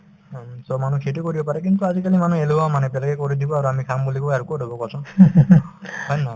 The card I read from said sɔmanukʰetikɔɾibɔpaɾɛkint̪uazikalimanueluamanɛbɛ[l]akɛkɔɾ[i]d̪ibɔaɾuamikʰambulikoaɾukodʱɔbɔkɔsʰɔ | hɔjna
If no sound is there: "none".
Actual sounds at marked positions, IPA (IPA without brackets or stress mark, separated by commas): l, i